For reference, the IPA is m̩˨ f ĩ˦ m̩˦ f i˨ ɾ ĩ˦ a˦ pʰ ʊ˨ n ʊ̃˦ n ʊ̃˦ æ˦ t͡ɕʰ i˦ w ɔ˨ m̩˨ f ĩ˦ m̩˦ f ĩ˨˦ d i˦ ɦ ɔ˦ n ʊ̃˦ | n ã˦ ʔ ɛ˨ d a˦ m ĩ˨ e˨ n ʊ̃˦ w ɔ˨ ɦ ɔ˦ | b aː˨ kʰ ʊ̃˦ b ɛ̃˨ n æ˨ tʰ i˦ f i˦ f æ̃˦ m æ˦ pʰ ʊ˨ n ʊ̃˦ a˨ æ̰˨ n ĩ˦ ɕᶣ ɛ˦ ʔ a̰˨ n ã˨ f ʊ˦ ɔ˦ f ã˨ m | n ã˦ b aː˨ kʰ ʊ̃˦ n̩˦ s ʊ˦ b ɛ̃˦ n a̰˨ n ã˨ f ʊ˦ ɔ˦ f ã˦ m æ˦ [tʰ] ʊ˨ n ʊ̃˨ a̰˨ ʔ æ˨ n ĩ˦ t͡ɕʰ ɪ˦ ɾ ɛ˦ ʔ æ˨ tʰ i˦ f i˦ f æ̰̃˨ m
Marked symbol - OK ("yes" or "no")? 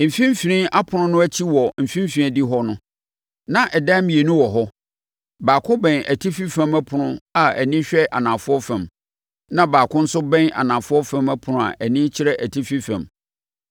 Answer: no